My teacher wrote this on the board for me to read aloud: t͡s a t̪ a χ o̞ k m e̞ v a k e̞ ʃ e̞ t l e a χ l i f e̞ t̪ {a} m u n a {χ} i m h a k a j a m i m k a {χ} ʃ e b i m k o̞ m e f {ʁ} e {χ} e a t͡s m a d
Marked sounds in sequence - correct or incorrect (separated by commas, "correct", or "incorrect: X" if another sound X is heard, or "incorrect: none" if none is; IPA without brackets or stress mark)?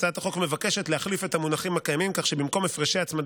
correct, correct, correct, correct, incorrect: ʃ